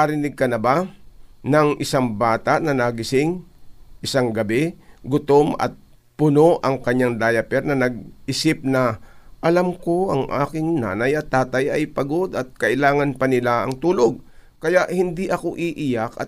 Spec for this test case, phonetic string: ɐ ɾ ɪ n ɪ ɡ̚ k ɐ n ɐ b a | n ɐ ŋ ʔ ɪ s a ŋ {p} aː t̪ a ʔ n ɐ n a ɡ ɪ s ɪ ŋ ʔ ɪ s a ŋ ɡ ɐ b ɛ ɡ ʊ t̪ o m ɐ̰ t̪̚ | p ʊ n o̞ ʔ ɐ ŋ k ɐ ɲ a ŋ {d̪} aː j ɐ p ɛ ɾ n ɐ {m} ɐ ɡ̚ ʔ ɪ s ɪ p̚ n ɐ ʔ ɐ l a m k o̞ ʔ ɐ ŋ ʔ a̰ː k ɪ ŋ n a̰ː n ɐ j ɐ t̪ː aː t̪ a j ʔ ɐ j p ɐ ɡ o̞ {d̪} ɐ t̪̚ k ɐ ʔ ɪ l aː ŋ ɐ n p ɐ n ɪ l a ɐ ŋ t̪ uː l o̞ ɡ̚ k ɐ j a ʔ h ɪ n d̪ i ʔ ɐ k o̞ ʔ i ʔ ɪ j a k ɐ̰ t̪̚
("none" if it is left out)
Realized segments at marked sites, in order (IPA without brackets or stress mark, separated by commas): b, d̪, n, d̪